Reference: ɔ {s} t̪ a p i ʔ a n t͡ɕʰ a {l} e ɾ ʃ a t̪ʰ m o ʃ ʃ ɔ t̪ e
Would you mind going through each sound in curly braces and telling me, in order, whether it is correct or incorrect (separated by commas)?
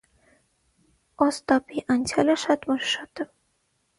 correct, correct